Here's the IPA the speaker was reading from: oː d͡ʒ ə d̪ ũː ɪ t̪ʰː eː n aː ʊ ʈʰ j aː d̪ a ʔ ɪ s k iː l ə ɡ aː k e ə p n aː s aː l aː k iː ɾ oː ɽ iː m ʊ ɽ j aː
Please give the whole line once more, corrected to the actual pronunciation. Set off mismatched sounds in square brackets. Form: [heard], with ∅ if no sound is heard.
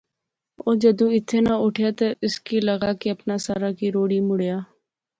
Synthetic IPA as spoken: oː d͡ʒ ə d̪ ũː ɪ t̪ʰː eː n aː ʊ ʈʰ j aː [t̪] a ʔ ɪ s k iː l ə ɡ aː k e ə p n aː s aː [ɾ] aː k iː ɾ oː ɽ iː m ʊ ɽ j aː